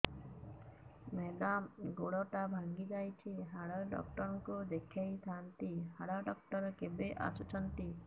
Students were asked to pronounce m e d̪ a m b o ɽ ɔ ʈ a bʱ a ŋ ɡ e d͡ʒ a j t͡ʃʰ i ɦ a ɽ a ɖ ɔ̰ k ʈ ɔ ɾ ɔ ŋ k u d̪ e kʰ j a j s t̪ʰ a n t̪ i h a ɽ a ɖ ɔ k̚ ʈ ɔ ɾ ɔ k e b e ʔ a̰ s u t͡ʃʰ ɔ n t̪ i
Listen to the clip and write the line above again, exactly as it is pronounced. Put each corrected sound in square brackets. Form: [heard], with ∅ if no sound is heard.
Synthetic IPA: m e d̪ a m [ɡ] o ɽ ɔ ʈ a bʱ a ŋ ɡ [i] d͡ʒ a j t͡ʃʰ i ɦ a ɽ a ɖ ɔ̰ k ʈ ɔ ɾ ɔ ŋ k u d̪ e kʰ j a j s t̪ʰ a n t̪ i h a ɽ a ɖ ɔ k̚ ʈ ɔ ɾ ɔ k e b e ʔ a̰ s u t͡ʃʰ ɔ n t̪ i